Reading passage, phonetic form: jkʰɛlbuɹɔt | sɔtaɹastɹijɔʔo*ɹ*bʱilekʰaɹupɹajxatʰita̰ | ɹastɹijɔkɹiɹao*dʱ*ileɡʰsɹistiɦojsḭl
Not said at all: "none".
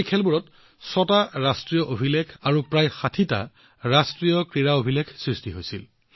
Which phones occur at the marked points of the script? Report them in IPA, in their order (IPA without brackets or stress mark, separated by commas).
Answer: none, bʱ